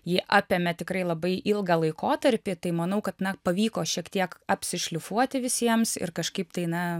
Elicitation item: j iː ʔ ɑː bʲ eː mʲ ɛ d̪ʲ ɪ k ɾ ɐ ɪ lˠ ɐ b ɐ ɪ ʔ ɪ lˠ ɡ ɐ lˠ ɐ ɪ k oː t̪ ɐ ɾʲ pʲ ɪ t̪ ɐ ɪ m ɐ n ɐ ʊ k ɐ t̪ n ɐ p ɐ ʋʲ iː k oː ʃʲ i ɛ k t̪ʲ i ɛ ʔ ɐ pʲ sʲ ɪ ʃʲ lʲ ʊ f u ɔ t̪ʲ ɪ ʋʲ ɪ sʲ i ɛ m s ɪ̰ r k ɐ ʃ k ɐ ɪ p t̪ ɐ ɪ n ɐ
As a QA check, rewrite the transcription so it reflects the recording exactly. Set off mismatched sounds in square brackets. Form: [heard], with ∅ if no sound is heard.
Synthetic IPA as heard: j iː ʔ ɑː [pʲ] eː mʲ ɛ [t̪ʲ] ɪ k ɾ ɐ ɪ lˠ ɐ b ɐ ɪ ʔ ɪ lˠ ɡ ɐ lˠ ɐ ɪ k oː t̪ ɐ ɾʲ pʲ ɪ t̪ ɐ ɪ m ɐ n ɐ ʊ k ɐ t̪ n ɐ p ɐ ʋʲ iː k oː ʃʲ i ɛ k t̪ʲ i ɛ [k] ɐ pʲ sʲ ɪ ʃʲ lʲ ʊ f u ɔ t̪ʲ ɪ ʋʲ ɪ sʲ i ɛ m s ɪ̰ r k ɐ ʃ k ɐ ɪ p t̪ ɐ ɪ n ɐ